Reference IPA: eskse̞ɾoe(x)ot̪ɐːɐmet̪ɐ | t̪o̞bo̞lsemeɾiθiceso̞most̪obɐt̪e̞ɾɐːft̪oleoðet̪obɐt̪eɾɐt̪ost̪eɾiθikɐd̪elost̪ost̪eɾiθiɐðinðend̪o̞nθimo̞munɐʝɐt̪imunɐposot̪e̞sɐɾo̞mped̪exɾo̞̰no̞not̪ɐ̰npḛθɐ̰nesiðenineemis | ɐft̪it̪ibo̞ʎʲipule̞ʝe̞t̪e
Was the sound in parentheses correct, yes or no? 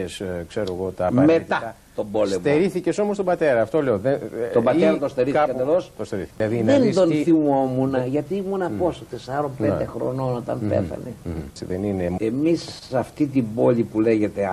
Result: no